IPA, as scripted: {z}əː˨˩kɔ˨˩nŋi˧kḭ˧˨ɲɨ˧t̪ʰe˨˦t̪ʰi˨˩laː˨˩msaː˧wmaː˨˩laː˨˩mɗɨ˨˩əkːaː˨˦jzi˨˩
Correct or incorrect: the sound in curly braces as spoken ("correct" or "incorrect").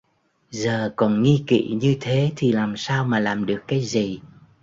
correct